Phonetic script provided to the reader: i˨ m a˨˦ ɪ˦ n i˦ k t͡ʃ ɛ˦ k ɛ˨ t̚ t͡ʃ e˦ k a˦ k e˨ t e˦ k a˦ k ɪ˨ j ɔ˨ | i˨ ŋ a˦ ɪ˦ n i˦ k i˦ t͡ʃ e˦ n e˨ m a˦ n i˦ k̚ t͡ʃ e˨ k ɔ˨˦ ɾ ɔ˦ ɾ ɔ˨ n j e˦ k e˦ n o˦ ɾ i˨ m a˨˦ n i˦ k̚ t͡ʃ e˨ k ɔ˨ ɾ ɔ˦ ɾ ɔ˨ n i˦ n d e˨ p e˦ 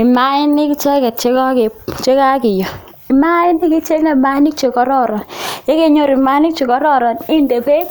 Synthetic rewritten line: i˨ m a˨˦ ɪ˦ n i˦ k t͡ʃ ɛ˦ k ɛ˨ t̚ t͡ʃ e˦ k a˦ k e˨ t͡ʃ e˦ k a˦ k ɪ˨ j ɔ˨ | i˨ m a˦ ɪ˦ n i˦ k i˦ t͡ʃ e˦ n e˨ m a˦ n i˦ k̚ t͡ʃ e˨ k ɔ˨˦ ɾ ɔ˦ ɾ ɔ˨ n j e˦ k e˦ ɲ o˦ ɾ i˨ m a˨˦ n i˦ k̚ t͡ʃ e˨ k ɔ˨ ɾ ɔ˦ ɾ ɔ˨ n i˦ n d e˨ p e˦